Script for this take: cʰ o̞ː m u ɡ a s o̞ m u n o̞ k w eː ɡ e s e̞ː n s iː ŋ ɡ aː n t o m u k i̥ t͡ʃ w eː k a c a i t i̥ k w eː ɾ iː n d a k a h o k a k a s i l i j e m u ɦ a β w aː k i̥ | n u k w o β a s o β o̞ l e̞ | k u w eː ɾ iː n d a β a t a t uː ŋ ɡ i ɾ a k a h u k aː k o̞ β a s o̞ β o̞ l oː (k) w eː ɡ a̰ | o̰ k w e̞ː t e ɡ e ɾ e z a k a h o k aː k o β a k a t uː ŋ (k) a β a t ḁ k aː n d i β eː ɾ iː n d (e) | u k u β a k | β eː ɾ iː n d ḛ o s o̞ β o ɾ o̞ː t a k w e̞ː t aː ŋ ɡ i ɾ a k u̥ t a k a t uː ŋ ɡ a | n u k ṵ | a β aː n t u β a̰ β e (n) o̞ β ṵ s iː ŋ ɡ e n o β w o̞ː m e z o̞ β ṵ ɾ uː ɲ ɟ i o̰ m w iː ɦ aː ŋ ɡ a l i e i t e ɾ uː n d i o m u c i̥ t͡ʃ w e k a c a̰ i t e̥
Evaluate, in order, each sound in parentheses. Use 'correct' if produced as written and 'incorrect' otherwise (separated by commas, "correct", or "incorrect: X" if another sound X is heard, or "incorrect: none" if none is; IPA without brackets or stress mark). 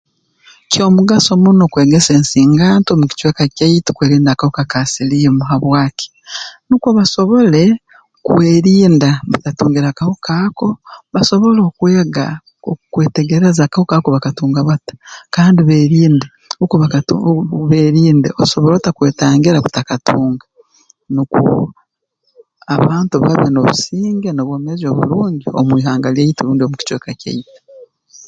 correct, incorrect: ɡ, correct, correct